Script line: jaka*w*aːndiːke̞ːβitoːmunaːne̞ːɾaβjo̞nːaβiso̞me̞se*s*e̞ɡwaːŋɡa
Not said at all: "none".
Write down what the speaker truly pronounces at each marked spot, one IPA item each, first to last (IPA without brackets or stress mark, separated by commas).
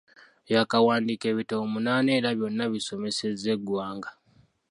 w, z